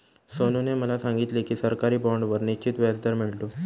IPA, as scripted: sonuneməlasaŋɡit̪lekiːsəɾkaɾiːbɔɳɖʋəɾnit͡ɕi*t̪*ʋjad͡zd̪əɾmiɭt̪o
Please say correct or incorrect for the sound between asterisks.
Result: correct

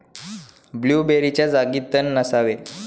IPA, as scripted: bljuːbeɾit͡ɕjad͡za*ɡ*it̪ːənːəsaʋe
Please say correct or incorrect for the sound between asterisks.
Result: correct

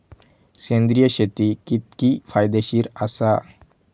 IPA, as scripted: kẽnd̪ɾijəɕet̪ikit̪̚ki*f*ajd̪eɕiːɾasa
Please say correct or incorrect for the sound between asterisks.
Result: correct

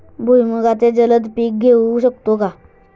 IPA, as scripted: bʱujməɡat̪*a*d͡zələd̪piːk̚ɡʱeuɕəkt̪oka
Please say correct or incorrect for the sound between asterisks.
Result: incorrect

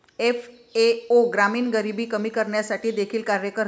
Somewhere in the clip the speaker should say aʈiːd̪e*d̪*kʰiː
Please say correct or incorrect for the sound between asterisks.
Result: incorrect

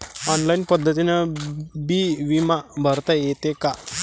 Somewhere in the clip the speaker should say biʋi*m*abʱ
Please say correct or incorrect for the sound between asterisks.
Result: correct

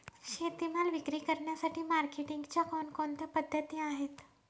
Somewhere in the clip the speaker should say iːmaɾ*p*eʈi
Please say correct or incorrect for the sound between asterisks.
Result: incorrect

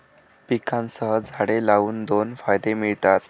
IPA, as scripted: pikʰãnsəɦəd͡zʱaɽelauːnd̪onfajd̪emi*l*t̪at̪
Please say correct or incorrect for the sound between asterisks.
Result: incorrect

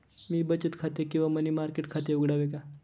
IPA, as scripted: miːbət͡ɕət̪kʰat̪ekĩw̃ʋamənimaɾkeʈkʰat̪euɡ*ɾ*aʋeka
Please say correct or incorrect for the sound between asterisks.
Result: incorrect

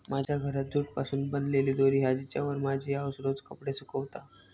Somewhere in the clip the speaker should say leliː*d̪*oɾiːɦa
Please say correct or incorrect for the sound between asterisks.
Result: correct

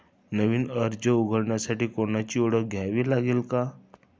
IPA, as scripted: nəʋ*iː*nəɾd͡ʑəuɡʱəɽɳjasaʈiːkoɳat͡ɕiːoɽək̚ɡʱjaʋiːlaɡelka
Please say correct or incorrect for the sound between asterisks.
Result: correct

